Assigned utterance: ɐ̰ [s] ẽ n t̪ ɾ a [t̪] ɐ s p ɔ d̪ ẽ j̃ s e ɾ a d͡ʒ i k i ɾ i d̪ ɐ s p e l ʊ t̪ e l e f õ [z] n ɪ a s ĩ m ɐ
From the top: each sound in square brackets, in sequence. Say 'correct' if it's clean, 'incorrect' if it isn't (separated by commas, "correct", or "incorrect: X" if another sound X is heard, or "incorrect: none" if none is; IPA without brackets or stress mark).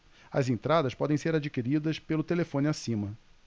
incorrect: z, incorrect: d̪, incorrect: none